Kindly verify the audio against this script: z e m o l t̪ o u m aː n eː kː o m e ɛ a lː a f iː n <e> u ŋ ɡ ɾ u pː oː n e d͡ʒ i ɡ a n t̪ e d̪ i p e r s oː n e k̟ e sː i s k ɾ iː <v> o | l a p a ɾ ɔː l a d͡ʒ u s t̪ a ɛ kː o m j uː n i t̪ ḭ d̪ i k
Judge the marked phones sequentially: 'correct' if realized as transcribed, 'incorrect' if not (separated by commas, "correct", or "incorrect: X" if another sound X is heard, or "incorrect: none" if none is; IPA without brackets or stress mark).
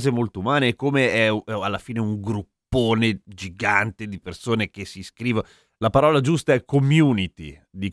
correct, correct